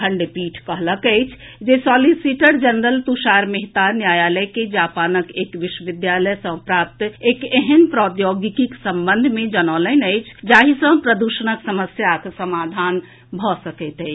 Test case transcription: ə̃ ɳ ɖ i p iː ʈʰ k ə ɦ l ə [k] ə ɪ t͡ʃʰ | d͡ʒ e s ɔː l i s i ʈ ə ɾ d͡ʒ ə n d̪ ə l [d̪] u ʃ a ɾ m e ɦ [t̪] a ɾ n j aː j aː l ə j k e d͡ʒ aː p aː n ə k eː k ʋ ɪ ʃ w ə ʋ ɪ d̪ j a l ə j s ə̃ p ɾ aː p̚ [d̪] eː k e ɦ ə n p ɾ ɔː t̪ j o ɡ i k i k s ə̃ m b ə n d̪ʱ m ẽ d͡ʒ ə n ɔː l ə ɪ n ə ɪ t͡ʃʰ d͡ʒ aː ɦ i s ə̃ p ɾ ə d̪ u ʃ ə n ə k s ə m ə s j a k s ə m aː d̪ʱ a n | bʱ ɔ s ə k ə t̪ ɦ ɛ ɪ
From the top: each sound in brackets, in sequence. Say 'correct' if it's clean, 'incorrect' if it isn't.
correct, incorrect: t̪, correct, incorrect: t̪

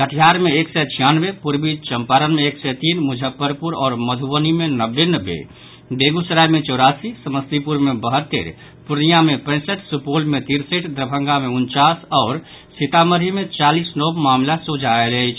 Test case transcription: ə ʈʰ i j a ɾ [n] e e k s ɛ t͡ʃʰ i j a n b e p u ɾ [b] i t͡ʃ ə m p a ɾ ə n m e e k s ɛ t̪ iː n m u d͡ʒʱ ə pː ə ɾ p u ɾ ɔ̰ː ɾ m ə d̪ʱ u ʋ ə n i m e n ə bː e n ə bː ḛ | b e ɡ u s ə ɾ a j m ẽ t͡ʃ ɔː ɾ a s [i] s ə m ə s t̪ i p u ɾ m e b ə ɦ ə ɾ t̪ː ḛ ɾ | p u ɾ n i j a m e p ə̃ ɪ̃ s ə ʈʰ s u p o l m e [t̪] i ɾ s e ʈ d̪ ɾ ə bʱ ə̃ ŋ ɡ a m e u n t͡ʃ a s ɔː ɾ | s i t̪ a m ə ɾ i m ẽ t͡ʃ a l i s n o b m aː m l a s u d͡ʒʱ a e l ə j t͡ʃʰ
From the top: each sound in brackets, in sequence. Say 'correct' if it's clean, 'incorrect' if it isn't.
incorrect: m, correct, correct, correct

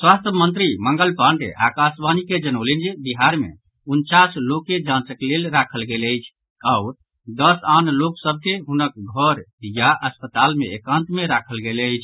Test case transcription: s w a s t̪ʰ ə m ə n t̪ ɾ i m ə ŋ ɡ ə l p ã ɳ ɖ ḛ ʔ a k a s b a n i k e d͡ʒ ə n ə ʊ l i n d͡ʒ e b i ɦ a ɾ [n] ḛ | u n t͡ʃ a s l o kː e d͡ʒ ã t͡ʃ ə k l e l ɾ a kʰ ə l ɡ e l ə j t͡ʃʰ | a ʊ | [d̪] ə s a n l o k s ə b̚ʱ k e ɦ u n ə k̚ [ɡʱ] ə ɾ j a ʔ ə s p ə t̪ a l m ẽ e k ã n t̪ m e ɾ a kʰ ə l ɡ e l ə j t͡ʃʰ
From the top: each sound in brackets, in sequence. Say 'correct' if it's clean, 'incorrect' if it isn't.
incorrect: m, correct, correct

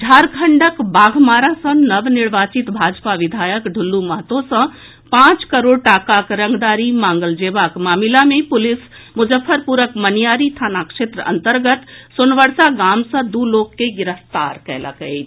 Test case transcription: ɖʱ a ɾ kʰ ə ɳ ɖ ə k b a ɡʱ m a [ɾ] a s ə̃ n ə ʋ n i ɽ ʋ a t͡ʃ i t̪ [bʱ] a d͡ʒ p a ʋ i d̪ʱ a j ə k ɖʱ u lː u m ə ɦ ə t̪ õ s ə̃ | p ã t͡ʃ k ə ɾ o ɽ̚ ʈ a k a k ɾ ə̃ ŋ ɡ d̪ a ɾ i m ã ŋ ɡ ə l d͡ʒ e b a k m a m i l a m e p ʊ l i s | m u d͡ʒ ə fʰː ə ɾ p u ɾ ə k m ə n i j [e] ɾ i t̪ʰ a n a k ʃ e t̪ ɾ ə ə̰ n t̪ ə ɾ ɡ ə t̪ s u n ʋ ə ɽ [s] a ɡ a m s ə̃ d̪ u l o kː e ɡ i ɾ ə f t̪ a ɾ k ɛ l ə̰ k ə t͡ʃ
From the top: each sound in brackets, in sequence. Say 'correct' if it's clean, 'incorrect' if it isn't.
correct, correct, incorrect: a, correct

